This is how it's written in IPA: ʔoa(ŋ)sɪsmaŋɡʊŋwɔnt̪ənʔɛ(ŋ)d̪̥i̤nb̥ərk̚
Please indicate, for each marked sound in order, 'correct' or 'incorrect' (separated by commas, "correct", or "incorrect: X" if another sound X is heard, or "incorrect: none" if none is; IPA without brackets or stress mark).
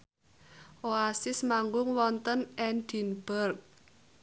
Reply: incorrect: none, incorrect: n